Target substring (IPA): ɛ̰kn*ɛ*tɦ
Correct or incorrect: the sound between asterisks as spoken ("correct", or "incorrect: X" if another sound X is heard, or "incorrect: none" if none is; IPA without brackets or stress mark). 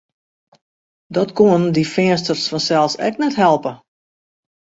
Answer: correct